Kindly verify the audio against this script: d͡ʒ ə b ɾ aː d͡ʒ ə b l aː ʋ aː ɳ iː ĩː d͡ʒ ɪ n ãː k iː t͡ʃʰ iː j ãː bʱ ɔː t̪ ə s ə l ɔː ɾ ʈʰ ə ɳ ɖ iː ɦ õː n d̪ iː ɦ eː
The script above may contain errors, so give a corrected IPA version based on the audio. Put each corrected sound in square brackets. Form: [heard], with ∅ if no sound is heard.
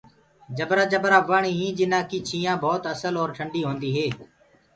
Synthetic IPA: d͡ʒ ə b ɾ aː d͡ʒ ə b [ɾ] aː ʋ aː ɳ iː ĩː d͡ʒ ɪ n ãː k iː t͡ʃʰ iː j ãː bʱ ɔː t̪ ə s ə l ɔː ɾ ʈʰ ə ɳ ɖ iː ɦ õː n d̪ iː ɦ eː